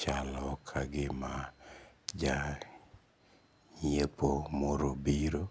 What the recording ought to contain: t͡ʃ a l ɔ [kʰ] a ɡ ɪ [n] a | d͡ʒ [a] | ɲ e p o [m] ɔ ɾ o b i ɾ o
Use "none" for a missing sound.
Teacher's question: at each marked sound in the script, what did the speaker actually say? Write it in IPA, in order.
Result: kʰ, m, a, m

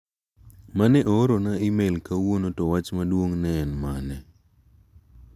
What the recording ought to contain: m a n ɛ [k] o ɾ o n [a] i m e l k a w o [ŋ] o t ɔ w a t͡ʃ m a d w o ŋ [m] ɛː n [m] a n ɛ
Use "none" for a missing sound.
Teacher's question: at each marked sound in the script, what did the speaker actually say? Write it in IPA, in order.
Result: ʔ, a, n, n, m

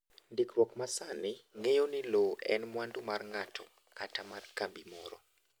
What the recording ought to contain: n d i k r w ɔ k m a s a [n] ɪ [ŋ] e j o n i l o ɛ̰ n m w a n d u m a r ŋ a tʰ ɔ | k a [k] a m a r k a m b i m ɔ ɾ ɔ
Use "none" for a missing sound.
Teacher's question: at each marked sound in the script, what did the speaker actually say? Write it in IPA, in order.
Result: n, ŋ, t

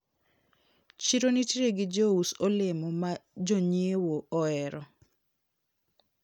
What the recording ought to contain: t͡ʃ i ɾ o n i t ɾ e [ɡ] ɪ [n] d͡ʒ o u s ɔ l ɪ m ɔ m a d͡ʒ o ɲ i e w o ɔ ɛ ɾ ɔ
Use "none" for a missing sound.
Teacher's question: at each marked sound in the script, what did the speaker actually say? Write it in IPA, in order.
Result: ɡ, none

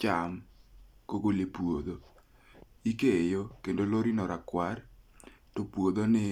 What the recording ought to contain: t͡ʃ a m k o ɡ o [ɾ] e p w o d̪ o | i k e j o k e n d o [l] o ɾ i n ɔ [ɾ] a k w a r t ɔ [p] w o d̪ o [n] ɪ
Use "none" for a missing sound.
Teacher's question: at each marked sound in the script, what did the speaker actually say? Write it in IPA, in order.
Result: l, l, ɾ, p, n

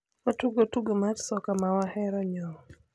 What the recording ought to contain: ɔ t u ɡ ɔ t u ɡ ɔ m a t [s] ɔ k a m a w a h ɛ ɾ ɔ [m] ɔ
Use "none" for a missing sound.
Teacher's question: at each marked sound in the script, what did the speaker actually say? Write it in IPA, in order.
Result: s, ɲ

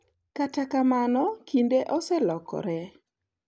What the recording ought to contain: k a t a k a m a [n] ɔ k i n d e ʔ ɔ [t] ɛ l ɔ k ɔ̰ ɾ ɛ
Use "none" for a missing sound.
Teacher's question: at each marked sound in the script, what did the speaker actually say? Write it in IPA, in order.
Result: n, s

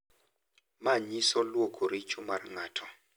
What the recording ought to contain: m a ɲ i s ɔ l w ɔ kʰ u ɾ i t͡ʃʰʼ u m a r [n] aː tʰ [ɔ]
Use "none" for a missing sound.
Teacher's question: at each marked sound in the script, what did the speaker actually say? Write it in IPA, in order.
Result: ŋ, ɔ

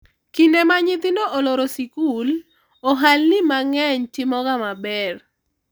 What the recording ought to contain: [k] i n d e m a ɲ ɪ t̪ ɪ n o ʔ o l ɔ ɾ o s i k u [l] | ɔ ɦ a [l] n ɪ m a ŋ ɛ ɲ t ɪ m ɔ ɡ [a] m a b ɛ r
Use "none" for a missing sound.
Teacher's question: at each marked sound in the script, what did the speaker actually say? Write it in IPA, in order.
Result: k, l, l, a

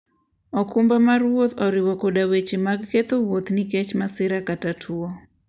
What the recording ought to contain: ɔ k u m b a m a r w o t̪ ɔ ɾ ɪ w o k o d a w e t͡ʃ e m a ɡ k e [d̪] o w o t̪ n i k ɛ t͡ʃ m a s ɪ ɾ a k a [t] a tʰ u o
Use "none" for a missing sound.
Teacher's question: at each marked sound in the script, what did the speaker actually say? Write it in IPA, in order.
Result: t̪, t

